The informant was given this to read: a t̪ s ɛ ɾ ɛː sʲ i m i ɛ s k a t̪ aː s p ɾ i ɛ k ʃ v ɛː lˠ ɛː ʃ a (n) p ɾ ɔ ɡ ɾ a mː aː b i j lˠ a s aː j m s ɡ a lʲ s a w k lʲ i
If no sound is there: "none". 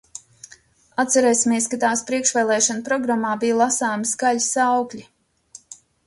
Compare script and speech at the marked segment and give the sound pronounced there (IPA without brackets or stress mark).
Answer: n